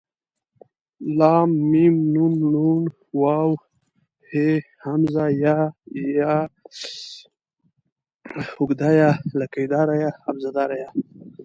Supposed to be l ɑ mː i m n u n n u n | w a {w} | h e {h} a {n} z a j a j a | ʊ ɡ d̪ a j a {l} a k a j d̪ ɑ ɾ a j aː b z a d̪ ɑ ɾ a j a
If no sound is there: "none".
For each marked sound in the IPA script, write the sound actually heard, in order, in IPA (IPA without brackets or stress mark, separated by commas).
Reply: w, h, m, l